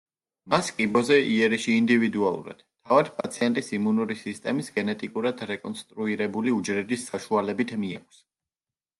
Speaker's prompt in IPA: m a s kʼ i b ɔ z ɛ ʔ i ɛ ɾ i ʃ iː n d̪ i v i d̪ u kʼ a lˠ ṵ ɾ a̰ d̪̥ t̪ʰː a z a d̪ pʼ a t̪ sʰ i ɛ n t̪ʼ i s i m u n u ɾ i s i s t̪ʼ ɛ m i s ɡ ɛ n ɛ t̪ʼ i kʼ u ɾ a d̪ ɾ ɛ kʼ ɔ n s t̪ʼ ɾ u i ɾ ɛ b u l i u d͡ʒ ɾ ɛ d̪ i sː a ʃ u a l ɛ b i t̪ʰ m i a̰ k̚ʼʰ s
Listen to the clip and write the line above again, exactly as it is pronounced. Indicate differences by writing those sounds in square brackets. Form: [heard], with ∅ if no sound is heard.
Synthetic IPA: m a s kʼ i b ɔ z ɛ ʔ i ɛ ɾ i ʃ iː n d̪ i v i d̪ u [∅] a lˠ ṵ ɾ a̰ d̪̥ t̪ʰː a [v] a d̪ pʼ a t̪ sʰ i ɛ n t̪ʼ i s i m u n u ɾ i s i s t̪ʼ ɛ m i s ɡ ɛ n ɛ t̪ʼ i kʼ u ɾ a d̪ ɾ ɛ kʼ ɔ n s t̪ʼ ɾ u i ɾ ɛ b u l i u d͡ʒ ɾ ɛ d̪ i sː a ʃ u a l ɛ b i t̪ʰ m i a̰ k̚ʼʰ s